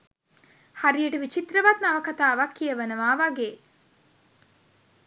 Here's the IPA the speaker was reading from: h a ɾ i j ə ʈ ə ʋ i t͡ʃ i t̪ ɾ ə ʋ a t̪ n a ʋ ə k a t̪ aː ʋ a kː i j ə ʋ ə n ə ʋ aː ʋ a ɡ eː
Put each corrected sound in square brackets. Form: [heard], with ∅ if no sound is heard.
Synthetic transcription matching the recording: h a ɾ i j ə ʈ ə ʋ i t͡ʃ i t̪ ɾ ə ʋ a t̪ n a ʋ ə k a t̪ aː ʋ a kː i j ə ʋ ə n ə ʋ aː ʋ a ɡ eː